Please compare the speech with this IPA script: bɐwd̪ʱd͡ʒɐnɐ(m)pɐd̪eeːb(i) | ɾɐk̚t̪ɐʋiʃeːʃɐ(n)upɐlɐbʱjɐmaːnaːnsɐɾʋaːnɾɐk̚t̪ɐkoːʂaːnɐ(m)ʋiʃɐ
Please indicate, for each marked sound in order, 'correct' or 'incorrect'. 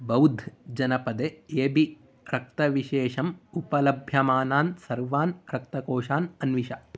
incorrect, correct, incorrect, incorrect

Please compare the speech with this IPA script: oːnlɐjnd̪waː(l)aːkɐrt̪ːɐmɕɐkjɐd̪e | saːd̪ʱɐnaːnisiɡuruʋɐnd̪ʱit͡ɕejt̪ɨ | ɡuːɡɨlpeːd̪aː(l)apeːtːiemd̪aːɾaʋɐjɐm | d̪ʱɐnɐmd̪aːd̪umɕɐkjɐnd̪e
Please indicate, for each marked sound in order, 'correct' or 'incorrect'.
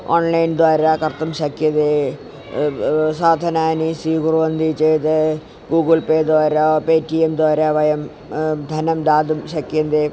incorrect, incorrect

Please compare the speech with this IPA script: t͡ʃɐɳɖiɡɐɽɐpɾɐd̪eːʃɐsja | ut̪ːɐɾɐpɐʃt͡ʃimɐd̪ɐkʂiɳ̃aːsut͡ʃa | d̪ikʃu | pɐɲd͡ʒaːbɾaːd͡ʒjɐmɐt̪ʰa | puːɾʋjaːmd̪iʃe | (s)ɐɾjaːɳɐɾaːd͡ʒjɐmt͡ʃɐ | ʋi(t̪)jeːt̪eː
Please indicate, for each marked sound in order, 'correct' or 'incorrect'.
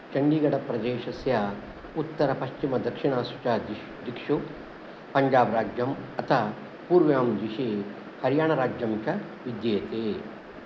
incorrect, incorrect

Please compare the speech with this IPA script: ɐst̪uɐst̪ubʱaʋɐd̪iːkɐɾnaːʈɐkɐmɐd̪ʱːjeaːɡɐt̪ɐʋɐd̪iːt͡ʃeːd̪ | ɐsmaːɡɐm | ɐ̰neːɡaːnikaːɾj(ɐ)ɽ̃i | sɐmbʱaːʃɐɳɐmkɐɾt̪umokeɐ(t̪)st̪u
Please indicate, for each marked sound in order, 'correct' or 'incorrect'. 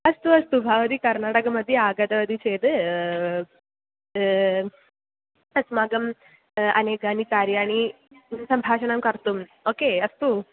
incorrect, incorrect

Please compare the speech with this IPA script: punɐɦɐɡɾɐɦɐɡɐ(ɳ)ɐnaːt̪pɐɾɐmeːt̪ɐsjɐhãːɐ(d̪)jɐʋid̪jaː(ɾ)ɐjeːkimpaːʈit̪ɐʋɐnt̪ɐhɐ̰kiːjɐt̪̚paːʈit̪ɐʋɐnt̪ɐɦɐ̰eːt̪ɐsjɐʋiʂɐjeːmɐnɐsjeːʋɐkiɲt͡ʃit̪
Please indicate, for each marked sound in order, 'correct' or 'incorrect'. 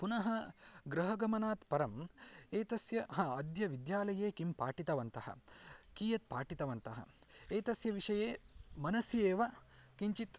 incorrect, correct, incorrect

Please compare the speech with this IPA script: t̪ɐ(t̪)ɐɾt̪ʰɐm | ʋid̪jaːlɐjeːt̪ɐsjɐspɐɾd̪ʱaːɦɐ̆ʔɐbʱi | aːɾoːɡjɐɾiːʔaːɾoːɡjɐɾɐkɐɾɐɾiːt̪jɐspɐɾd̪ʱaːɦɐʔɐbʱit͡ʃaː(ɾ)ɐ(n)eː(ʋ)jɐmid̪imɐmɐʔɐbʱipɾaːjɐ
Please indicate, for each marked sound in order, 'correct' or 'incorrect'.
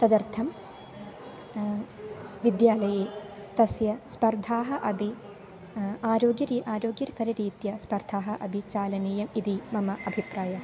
incorrect, incorrect, correct, incorrect

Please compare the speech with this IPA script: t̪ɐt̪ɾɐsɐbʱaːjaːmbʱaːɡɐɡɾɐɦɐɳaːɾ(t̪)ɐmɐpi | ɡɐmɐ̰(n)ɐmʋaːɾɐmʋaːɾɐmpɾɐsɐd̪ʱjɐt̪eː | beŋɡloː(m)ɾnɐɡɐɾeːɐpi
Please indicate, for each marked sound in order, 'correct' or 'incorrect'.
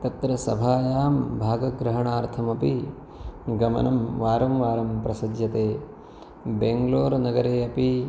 incorrect, correct, incorrect

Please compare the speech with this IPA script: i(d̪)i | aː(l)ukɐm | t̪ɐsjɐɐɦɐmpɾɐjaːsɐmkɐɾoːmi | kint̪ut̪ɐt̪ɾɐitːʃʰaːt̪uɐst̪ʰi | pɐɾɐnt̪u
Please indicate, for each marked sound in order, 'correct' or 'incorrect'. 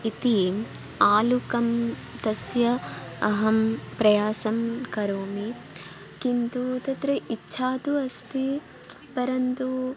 incorrect, correct

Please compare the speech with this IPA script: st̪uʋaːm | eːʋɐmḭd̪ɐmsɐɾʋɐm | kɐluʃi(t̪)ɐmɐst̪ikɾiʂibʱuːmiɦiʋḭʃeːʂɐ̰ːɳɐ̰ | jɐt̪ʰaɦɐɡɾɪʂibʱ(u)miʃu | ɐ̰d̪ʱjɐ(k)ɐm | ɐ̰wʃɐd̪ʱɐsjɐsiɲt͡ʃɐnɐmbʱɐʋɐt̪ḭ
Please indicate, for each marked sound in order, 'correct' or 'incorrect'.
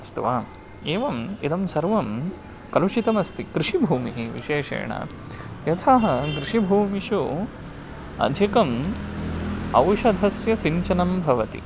correct, incorrect, correct

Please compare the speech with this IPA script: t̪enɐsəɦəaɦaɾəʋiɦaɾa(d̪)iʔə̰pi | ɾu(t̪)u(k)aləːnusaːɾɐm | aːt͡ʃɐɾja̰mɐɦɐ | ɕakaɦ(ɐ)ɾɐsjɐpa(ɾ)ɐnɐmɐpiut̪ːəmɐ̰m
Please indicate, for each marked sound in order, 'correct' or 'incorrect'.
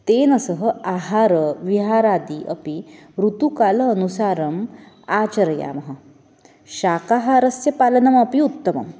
correct, correct, correct, incorrect, incorrect

